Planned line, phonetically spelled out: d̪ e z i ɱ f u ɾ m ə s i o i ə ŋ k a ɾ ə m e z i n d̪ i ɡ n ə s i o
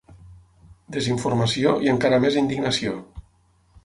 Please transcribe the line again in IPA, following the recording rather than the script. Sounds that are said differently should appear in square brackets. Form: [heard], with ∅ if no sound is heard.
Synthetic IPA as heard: d̪ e z i ɱ f u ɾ m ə s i o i ə ŋ k a ɾ ə m e z i n d̪ i ɡ n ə s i o